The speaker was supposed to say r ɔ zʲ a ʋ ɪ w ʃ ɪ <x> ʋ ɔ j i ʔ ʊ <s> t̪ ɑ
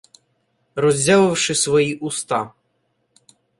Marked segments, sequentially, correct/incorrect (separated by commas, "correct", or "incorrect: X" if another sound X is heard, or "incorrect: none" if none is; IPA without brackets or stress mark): incorrect: s, correct